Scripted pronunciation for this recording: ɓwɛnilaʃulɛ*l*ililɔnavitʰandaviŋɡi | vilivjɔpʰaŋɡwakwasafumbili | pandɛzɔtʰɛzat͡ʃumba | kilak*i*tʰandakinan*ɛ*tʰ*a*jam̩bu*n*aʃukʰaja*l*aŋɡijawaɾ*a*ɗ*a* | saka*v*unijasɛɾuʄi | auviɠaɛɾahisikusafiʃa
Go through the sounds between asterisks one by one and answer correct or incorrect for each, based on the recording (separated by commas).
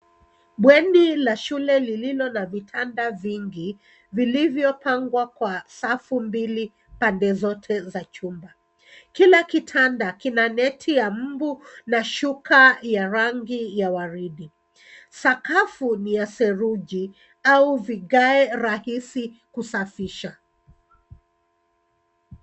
correct, correct, correct, incorrect, correct, incorrect, incorrect, incorrect, incorrect